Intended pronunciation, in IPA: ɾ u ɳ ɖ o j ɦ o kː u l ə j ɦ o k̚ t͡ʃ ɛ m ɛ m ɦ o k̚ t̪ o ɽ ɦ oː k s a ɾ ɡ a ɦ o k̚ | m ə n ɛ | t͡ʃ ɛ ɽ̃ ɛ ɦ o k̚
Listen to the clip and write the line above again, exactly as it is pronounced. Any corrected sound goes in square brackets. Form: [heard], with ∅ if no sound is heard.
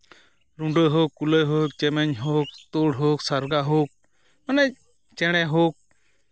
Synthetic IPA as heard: ɾ u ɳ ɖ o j ɦ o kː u l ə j ɦ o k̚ t͡ʃ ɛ m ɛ [ɲ] ɦ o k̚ t̪ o ɽ ɦ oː k s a ɾ ɡ a ɦ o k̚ | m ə n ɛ | t͡ʃ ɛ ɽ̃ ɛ ɦ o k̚